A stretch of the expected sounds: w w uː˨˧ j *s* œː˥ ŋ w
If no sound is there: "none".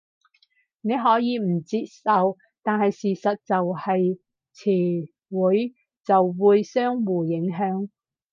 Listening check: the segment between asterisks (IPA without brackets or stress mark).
s